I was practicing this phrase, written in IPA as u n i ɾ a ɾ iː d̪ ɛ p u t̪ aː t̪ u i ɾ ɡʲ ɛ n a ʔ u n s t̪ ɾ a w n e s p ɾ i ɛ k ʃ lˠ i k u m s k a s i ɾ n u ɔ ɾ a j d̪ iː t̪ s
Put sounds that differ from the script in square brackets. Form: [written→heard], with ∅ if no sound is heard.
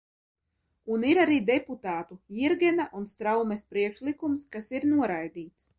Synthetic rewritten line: u n i ɾ a ɾ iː d̪ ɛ p u t̪ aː t̪ u i ɾ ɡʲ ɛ n a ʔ u n s t̪ ɾ a w [n→m] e s p ɾ i ɛ k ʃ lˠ i k u m s k a s i ɾ n u ɔ ɾ a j d̪ iː t̪ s